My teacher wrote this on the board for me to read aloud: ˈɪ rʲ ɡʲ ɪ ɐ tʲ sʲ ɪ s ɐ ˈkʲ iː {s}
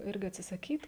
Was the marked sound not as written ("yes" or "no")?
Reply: yes